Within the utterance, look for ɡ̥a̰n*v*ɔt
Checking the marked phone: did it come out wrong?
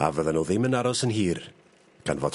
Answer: no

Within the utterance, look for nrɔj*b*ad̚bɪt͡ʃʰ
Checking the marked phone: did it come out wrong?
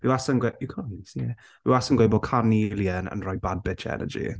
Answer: no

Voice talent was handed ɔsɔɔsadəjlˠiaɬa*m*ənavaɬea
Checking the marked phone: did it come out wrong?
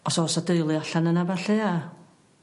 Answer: yes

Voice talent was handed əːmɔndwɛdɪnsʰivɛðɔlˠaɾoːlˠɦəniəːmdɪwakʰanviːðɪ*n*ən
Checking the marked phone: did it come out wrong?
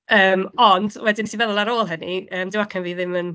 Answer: yes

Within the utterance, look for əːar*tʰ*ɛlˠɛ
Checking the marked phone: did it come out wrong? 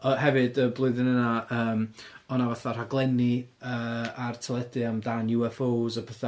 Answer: no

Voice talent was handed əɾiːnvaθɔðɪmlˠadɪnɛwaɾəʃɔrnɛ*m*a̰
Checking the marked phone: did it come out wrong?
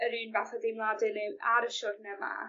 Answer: no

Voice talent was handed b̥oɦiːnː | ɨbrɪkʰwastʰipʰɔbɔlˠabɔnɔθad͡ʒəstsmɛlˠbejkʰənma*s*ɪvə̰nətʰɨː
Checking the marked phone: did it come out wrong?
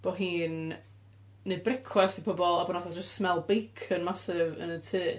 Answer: no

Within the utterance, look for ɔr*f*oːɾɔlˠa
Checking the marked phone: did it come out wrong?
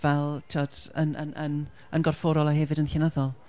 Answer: no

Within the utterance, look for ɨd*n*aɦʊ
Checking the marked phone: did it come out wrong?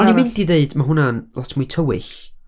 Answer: yes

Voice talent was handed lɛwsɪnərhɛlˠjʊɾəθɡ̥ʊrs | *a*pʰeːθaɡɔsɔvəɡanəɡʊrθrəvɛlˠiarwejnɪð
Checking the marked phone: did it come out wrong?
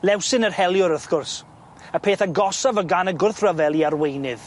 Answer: yes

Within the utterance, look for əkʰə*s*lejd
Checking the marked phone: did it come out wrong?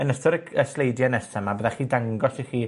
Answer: no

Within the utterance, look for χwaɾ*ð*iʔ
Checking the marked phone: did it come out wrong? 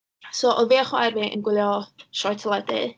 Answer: yes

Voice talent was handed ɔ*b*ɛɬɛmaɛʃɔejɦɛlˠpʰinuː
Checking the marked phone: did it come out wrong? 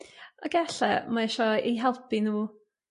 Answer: yes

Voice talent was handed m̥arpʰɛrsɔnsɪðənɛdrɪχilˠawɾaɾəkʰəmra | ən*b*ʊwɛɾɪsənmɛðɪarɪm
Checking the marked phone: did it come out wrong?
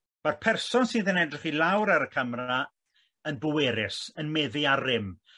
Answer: no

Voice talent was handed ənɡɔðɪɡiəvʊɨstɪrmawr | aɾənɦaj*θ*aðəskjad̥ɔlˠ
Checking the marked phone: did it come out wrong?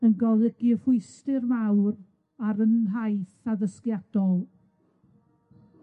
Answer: no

